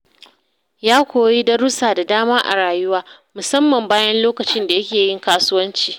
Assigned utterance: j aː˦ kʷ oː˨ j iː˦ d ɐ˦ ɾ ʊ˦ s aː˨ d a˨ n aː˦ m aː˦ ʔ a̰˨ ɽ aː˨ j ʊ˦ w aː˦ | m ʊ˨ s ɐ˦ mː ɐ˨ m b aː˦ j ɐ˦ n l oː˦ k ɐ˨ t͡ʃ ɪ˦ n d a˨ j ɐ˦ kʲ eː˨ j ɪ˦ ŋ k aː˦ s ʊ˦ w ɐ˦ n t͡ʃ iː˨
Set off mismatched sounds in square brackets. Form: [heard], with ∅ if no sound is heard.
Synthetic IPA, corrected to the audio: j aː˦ kʷ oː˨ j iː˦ d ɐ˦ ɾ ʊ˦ s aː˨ d a˨ [d] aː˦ m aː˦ ʔ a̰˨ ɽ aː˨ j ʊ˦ w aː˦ | m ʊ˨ s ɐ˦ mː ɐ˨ m b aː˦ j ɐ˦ n l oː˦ k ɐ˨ t͡ʃ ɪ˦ n d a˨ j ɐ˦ kʲ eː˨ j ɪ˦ ŋ k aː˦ s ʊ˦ w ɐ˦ n t͡ʃ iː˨

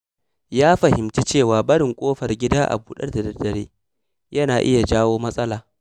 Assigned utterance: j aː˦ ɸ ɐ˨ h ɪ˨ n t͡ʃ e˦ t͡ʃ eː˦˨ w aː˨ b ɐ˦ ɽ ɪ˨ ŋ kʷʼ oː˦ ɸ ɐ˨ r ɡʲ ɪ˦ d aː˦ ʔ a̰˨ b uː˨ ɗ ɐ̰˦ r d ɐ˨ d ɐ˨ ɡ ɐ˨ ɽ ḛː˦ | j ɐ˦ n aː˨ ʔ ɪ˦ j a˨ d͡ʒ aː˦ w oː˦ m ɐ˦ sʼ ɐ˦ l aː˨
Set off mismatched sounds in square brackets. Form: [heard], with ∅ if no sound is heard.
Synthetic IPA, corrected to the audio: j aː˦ ɸ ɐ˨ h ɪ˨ [m] t͡ʃ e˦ t͡ʃ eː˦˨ w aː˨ b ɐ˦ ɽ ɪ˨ ŋ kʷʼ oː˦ ɸ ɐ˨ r ɡʲ ɪ˦ d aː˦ ʔ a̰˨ b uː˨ ɗ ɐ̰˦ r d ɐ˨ d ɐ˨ [d] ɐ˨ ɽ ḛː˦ | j ɐ˦ n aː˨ ʔ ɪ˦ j a˨ d͡ʒ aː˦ w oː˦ m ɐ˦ sʼ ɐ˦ l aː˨

